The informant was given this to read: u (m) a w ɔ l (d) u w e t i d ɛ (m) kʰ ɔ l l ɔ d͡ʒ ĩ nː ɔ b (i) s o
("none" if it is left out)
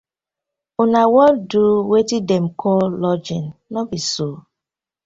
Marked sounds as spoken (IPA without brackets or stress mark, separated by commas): n, d, m, i